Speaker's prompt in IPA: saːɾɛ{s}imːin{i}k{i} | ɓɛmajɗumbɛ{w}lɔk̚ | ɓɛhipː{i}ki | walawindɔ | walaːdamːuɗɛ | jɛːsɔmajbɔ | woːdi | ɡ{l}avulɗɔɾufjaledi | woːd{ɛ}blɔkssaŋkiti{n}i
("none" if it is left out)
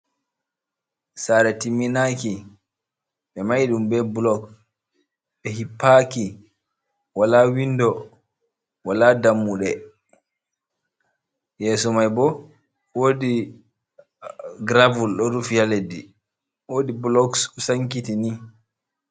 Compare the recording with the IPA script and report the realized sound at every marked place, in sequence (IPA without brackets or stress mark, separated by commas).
t, a, i, b, a, ɾ, i, n